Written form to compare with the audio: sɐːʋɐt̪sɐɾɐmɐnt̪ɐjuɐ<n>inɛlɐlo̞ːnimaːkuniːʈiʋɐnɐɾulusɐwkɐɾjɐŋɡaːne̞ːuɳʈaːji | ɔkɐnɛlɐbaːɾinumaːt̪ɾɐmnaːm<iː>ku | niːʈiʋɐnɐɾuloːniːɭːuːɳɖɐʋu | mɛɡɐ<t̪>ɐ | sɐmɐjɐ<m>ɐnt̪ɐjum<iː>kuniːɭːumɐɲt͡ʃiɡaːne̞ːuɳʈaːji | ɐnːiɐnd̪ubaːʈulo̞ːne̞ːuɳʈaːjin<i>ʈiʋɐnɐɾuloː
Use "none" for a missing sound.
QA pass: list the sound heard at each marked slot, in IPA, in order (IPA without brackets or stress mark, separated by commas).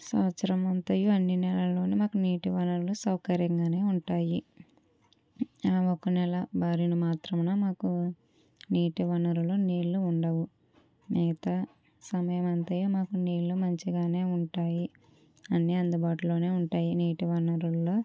nː, aː, t̪, m, aː, iː